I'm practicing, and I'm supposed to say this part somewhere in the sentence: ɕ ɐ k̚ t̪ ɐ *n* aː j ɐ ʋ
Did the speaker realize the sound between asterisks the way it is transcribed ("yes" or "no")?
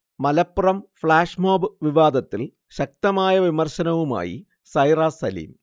no